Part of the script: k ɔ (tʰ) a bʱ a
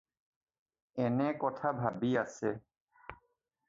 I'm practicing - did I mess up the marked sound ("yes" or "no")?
no